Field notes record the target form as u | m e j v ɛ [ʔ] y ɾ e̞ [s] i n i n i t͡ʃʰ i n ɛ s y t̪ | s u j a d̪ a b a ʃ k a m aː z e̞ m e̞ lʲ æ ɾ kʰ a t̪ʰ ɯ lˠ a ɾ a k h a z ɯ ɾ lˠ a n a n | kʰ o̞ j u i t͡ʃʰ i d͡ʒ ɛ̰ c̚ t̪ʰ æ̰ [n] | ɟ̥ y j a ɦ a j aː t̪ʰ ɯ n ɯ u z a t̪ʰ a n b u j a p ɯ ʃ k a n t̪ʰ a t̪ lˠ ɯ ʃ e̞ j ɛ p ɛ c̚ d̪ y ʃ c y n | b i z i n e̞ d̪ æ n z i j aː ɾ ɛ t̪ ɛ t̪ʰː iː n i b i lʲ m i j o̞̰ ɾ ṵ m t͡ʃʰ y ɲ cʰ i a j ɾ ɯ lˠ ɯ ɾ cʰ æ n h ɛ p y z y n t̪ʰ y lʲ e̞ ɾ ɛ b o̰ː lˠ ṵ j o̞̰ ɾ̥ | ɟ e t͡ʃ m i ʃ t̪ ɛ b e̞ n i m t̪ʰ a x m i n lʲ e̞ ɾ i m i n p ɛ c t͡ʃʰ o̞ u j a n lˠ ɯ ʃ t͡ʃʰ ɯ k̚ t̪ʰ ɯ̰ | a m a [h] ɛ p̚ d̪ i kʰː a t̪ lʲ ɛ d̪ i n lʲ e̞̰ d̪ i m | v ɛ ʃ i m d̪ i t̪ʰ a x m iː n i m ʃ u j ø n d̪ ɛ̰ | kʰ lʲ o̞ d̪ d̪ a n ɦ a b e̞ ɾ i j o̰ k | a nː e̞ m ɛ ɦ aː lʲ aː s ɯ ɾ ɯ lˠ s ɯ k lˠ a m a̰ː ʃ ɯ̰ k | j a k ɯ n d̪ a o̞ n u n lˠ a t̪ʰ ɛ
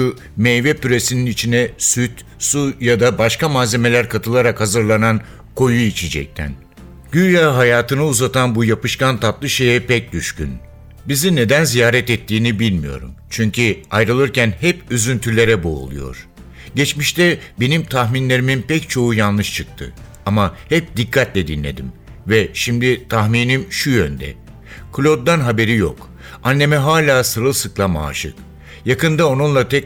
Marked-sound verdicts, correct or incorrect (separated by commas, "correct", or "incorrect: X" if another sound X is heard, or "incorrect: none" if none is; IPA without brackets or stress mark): incorrect: p, correct, correct, correct